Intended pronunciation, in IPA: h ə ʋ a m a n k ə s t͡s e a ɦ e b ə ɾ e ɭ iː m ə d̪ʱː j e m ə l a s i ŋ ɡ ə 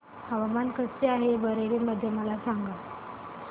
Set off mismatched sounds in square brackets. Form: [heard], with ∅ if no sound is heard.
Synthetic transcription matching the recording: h ə ʋ a m a n k ə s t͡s e a ɦ e b ə ɾ e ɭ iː m ə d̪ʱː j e m ə l a s [a] ŋ ɡ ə